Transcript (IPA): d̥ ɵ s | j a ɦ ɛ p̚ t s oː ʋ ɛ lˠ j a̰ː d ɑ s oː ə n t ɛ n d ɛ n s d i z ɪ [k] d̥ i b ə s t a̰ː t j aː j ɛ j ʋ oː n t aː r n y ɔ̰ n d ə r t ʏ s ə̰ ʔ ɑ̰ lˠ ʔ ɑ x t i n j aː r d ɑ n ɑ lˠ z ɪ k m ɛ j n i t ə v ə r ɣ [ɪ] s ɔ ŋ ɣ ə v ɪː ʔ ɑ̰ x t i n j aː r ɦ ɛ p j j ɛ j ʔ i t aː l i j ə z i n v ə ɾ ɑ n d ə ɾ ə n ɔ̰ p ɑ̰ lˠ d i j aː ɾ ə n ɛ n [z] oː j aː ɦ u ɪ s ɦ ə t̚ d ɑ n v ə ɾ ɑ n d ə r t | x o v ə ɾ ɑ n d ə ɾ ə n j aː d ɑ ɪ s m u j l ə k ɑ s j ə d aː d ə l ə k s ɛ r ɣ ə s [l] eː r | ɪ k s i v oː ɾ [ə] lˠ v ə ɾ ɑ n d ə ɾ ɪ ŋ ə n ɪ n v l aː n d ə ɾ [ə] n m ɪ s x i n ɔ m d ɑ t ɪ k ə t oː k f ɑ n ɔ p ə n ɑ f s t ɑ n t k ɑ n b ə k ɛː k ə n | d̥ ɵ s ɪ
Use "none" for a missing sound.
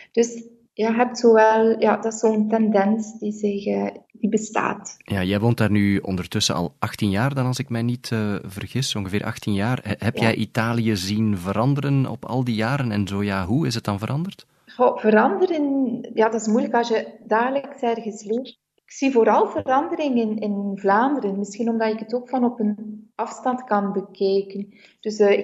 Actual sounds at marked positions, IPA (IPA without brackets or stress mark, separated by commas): x, ɪ, z, l, ɑ, ə